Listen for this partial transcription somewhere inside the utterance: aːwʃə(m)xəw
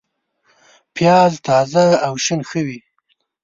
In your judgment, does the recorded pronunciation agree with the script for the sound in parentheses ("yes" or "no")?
no